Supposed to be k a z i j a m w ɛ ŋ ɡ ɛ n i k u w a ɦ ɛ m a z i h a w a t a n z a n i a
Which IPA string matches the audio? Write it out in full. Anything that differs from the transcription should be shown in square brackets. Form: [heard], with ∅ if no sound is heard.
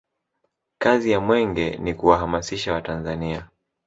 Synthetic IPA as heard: k a z i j a m w ɛ ŋ ɡ ɛ n i k u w a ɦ [a] m a [s] i [ʃ] a w a t a n z a n i a